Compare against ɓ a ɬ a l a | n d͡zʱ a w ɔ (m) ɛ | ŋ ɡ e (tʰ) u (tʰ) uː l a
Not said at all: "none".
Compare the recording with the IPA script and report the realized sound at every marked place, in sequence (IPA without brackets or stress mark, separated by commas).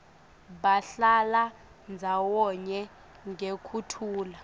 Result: ɲ, kʰ, tʰ